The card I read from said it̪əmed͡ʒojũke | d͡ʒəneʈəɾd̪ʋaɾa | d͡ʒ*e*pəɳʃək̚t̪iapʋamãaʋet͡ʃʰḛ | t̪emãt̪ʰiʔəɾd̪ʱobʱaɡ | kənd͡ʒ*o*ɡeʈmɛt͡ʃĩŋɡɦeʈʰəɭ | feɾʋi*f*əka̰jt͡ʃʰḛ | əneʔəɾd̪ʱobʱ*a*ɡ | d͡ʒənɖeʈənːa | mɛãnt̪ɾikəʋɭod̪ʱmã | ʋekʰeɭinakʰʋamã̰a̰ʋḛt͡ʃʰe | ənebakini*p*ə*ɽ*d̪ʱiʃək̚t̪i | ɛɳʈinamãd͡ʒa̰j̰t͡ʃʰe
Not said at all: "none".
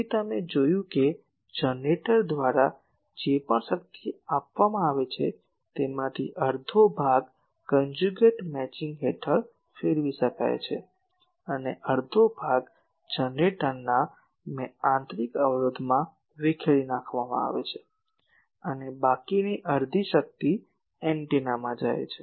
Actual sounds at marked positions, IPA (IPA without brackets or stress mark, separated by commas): e, u, ʃ, a, ʔ, ɾ